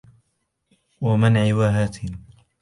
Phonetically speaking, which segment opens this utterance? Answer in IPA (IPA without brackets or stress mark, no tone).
w